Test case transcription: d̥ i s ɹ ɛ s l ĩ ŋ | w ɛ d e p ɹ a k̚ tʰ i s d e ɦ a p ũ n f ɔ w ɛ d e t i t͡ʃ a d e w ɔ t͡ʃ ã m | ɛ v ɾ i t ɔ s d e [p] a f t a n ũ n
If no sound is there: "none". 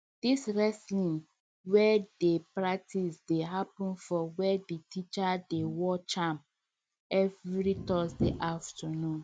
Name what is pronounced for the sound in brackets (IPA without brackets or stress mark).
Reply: ʔ